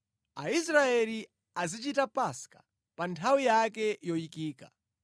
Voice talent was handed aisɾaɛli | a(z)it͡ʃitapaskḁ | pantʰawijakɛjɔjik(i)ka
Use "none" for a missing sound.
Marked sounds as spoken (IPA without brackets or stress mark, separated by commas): z, iː